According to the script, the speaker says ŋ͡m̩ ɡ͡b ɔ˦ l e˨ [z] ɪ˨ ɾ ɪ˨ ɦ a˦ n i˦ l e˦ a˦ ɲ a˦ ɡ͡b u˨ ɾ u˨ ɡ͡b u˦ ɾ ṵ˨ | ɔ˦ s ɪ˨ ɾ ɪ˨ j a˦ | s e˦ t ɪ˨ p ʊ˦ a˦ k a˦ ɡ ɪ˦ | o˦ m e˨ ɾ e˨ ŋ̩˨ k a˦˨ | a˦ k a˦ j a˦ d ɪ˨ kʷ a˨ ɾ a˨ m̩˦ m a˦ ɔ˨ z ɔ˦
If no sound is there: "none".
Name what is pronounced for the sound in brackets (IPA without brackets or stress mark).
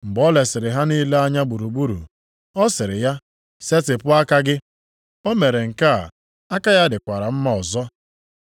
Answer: s